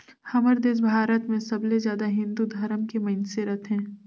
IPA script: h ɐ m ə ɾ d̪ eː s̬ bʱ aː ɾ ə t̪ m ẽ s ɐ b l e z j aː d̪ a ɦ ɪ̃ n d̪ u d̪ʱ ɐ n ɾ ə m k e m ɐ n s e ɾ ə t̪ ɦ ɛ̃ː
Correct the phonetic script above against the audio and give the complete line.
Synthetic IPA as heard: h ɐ m ə ɾ d̪ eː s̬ bʱ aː ɾ ə t̪ m ẽ s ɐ b l e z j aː d̪ a ɦ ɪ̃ n d̪ u d̪ʱ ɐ ɾ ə m k e m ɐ n s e ɾ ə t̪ ɦ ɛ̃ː